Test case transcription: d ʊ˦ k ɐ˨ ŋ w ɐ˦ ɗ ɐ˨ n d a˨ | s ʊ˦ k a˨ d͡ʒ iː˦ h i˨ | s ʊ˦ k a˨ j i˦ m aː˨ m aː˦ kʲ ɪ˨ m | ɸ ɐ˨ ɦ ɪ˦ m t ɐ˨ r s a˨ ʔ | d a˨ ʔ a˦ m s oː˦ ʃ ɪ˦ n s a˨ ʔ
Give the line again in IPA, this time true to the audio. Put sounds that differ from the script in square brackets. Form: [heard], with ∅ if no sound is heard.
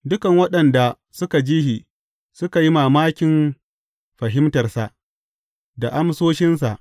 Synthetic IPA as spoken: d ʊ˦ k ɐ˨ ŋ w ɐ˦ ɗ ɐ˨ n d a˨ | s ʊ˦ k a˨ d͡ʒ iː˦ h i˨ | s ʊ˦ k a˨ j i˦ m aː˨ m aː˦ kʲ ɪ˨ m | ɸ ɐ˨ ɦ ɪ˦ m t ɐ˨ r s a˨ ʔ | d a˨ ʔ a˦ m s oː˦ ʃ ɪ˦ n s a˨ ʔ

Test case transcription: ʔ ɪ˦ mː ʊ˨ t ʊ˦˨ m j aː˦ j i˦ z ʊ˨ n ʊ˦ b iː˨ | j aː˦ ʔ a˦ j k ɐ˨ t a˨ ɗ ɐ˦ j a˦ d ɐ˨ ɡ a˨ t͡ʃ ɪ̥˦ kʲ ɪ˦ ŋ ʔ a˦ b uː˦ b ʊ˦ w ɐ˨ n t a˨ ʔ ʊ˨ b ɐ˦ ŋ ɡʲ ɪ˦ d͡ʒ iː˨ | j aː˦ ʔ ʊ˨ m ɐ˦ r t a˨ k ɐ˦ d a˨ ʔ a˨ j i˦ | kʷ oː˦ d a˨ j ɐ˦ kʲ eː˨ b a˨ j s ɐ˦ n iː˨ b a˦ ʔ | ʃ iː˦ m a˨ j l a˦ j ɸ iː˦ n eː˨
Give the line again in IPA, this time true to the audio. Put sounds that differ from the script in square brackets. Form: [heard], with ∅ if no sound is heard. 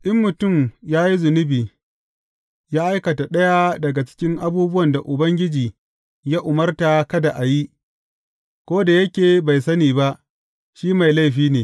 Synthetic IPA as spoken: ʔ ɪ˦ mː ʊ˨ t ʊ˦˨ m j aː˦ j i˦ z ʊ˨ n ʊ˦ b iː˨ | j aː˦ ʔ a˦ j k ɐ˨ t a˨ ɗ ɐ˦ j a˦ d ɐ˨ ɡ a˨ t͡ʃ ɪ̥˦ kʲ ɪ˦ ŋ ʔ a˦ b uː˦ b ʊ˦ w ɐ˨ n [d] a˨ ʔ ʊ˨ b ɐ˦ ŋ ɡʲ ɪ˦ d͡ʒ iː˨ | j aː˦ ʔ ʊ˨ m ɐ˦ r t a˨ k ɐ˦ d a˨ ʔ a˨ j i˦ | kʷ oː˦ d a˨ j ɐ˦ kʲ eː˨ b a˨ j s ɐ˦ n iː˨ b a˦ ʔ | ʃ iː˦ m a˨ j l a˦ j ɸ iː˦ n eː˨

